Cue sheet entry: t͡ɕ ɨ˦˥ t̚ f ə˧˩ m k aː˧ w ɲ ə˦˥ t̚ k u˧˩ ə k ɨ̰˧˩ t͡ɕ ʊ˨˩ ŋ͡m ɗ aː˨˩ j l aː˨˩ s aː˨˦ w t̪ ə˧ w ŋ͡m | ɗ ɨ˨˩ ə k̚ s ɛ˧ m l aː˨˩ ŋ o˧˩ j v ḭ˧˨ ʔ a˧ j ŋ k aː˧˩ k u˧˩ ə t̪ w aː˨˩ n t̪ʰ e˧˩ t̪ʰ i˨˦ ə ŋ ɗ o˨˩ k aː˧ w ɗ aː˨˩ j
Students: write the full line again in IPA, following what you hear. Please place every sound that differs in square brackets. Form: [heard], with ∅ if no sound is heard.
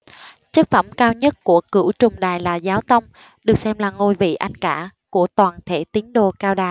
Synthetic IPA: t͡ɕ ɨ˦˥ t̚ f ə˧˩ m k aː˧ w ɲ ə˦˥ t̚ k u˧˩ ə k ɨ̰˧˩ t͡ɕ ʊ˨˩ ŋ͡m ɗ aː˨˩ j l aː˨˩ [z] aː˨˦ w t̪ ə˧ w ŋ͡m | ɗ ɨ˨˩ ə k̚ s ɛ˧ m l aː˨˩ ŋ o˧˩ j v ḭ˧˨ ʔ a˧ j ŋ k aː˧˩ k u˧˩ ə t̪ w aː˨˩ n t̪ʰ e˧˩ [t̪] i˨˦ ə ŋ ɗ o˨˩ k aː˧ w ɗ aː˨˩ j

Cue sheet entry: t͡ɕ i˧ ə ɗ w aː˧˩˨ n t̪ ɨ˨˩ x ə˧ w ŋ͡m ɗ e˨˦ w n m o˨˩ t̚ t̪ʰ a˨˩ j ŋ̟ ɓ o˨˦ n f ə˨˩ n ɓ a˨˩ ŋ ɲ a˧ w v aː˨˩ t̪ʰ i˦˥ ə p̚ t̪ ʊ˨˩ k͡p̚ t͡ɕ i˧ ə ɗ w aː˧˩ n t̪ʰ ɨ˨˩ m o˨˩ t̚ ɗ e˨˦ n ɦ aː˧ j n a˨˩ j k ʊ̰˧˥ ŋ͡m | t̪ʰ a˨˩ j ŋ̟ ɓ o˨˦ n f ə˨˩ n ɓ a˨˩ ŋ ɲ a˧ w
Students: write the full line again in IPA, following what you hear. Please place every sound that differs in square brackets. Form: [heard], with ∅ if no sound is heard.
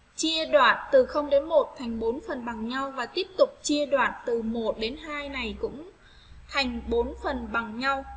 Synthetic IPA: t͡ɕ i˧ ə ɗ w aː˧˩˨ n t̪ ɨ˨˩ x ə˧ w ŋ͡m ɗ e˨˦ [∅] n m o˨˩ t̚ t̪ʰ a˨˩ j ŋ̟ ɓ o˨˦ n f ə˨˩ n ɓ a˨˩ ŋ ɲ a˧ w v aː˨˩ [t̪] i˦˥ ə p̚ t̪ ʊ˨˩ k͡p̚ t͡ɕ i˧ ə ɗ w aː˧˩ n [t̪] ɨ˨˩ m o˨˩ t̚ ɗ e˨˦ n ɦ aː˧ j n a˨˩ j k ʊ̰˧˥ ŋ͡m | t̪ʰ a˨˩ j ŋ̟ ɓ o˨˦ n f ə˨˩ n ɓ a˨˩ ŋ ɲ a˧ w

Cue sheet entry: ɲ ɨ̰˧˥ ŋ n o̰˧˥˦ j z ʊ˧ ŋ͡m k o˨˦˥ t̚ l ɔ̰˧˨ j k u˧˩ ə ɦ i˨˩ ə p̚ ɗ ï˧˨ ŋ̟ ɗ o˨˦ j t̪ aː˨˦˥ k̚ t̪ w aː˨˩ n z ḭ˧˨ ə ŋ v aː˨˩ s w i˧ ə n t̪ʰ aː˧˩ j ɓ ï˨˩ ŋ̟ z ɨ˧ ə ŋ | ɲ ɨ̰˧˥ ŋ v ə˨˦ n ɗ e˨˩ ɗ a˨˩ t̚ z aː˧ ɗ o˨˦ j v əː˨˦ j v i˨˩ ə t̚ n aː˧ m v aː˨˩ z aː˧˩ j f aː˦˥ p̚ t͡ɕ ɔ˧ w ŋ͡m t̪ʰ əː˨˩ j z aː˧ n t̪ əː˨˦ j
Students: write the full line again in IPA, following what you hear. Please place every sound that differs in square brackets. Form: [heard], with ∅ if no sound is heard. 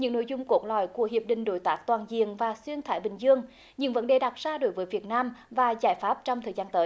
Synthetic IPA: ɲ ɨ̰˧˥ ŋ n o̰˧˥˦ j z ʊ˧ ŋ͡m k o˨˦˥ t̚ l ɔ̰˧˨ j k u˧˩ ə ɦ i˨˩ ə p̚ ɗ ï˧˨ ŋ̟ ɗ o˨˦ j t̪ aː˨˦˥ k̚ t̪ w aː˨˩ n z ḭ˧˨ ə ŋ v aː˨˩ s w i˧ ə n t̪ʰ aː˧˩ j ɓ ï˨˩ ŋ̟ z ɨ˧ ə ŋ | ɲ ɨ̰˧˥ ŋ v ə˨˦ n ɗ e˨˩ ɗ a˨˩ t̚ z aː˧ ɗ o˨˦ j v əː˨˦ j v i˨˩ ə t̚ n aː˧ m v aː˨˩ z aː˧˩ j f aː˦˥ p̚ t͡ɕ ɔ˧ w ŋ͡m t̪ʰ əː˨˩ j z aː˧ n t̪ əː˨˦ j

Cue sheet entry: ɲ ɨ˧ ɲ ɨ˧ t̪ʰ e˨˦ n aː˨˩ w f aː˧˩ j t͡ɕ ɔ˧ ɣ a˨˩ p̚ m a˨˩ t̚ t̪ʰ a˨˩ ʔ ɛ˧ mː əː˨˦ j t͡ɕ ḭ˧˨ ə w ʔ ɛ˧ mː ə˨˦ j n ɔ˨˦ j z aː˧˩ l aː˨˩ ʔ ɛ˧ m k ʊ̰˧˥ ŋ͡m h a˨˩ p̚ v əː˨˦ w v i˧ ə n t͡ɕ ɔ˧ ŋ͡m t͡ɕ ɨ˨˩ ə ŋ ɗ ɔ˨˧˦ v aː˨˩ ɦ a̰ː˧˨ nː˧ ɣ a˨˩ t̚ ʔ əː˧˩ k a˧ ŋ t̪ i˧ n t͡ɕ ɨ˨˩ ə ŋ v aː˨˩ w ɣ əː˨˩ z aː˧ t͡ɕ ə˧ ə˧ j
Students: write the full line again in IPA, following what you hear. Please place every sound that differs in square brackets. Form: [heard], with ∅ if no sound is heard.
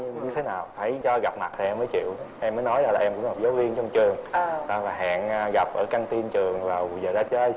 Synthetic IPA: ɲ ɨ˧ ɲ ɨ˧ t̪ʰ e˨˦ n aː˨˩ w f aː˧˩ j t͡ɕ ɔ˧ ɣ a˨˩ p̚ m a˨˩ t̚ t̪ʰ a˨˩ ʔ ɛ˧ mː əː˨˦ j t͡ɕ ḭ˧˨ ə w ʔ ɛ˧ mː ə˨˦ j n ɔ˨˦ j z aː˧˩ l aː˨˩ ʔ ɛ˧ m k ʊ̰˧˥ ŋ͡m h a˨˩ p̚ [z] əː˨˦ w v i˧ ə n t͡ɕ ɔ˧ ŋ͡m t͡ɕ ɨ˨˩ ə ŋ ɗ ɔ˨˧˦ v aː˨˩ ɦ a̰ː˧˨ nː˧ ɣ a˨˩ [p̚] ʔ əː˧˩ k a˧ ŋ t̪ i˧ n t͡ɕ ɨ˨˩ ə ŋ v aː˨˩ w [z] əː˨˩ z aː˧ t͡ɕ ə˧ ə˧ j

